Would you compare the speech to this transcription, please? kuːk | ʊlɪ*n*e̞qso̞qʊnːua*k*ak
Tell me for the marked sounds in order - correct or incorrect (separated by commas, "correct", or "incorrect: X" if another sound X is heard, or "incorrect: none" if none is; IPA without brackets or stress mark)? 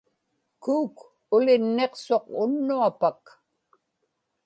incorrect: nː, incorrect: p